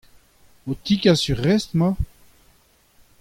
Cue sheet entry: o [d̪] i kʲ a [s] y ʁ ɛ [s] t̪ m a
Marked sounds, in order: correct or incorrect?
incorrect: t̪, correct, correct

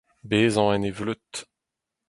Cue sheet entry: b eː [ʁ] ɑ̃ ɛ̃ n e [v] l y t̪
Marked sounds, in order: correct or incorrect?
incorrect: z, correct

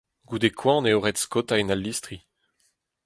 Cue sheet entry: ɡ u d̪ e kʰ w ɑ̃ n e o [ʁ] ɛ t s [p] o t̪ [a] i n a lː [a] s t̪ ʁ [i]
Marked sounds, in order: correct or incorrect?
correct, incorrect: k, correct, incorrect: i, correct

